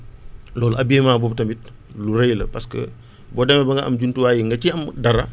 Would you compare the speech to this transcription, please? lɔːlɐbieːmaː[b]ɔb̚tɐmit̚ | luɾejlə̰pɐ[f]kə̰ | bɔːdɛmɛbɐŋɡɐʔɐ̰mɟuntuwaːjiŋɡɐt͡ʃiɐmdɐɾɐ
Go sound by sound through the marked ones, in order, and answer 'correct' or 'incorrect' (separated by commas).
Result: correct, incorrect